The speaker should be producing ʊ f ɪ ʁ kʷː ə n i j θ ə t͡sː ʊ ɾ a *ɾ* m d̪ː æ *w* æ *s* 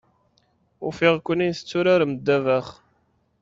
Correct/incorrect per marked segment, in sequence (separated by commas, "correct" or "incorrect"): correct, incorrect, incorrect